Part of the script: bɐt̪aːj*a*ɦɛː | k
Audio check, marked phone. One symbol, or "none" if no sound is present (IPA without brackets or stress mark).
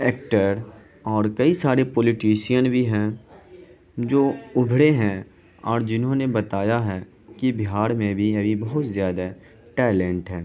a